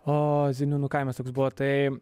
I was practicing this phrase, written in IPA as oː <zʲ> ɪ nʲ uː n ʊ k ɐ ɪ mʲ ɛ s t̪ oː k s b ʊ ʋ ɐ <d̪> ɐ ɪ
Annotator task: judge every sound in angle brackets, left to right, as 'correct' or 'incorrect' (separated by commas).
correct, incorrect